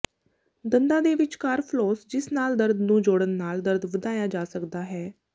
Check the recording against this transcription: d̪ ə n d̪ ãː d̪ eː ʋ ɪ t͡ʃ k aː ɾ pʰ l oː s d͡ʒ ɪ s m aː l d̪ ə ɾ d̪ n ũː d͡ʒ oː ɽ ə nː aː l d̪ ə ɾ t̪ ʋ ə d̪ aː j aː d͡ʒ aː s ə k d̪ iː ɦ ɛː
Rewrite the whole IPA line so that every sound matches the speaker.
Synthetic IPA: d̪ ə n d̪ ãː d̪ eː ʋ ɪ t͡ʃ k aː ɾ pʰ l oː s d͡ʒ ɪ s n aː l d̪ ə ɾ d̪ n ũː d͡ʒ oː ɽ ə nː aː l d̪ ə ɾ d̪ ʋ ə d̪ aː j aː d͡ʒ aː s ə k d̪ aː ɦ ɛː